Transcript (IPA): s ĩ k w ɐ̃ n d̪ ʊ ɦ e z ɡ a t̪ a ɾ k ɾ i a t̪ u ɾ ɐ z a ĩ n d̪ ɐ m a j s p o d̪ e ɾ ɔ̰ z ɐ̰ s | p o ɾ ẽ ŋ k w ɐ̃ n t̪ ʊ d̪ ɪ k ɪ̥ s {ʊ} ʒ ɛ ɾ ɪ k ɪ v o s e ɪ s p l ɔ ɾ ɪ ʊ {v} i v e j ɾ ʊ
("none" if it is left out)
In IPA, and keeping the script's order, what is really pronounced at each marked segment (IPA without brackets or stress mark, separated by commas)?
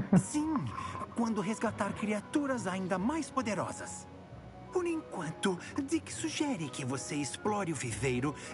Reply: u, v